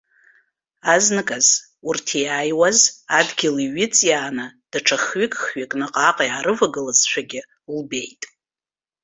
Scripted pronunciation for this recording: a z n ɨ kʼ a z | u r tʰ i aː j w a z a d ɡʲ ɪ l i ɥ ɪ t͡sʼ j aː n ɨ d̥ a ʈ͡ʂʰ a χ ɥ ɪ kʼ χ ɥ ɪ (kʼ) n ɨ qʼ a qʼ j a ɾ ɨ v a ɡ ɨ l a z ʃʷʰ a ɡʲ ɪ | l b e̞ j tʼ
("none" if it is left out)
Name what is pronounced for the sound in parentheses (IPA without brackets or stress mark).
kʼ